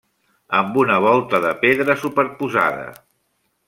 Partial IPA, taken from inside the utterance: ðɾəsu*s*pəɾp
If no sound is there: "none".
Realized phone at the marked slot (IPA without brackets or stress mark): none